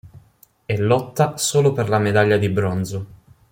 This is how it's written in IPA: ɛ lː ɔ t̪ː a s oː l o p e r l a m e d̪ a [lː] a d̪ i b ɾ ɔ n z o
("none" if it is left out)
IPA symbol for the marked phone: ʎː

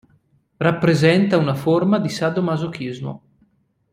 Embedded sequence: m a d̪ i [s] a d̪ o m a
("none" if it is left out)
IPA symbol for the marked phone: s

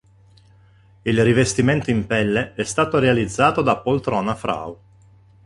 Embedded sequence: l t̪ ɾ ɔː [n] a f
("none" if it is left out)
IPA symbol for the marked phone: n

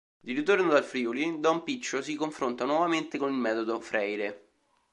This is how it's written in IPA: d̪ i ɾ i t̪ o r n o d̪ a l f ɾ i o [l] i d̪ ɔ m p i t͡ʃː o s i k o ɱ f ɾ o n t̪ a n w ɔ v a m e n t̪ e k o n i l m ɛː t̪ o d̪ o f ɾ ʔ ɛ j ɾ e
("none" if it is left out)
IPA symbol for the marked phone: l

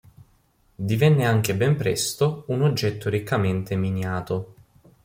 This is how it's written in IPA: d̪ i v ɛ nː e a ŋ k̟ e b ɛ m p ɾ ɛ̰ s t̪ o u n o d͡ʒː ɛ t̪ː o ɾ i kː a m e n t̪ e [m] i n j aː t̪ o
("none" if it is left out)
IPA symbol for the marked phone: m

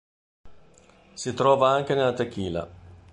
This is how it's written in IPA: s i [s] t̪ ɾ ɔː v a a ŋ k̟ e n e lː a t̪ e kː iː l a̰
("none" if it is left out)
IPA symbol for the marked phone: none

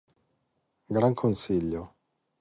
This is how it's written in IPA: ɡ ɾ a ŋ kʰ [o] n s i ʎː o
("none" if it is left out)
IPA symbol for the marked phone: o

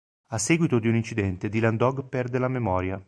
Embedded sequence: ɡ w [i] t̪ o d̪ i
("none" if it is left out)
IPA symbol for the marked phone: i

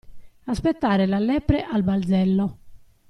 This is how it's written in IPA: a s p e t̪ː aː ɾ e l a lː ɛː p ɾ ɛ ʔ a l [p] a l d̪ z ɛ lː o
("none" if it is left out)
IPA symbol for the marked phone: b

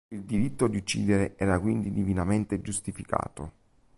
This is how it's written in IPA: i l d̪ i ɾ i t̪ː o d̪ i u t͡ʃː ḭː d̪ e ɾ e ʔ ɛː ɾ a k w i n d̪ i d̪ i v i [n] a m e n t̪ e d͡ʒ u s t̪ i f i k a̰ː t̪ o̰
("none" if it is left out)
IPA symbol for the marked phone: n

